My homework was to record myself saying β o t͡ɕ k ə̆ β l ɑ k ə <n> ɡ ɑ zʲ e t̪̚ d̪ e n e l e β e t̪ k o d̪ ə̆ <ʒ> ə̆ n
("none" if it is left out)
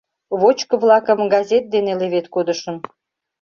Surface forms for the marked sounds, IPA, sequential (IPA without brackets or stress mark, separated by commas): m, ʃ